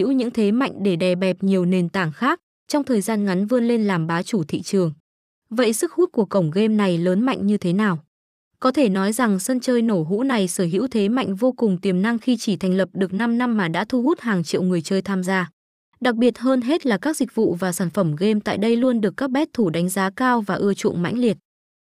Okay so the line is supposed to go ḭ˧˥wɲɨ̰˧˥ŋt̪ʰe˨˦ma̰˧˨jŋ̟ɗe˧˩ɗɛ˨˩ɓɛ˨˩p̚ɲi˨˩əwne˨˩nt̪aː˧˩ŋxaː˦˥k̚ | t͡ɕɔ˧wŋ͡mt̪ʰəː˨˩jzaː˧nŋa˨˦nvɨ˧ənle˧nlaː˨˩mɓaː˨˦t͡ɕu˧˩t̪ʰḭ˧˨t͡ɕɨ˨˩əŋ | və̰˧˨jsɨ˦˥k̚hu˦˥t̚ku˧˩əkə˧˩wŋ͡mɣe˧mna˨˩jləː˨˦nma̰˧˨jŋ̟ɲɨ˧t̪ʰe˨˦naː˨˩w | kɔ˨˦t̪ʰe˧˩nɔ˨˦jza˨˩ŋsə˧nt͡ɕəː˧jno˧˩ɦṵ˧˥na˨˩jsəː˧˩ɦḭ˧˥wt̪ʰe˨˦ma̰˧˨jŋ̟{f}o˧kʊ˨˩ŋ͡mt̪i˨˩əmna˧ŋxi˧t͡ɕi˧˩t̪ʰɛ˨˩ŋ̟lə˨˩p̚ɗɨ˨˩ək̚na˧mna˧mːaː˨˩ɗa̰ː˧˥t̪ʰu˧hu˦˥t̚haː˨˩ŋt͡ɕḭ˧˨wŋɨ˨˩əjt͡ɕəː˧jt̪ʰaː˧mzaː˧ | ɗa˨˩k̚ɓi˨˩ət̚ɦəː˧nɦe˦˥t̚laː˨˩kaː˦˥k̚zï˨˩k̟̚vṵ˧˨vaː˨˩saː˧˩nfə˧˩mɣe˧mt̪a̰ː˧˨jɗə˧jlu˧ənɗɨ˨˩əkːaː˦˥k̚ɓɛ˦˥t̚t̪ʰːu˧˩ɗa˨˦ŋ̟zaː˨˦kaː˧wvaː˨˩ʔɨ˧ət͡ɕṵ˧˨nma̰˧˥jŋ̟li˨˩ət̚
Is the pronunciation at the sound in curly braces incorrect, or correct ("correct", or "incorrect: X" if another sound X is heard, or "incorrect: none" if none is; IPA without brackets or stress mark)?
incorrect: v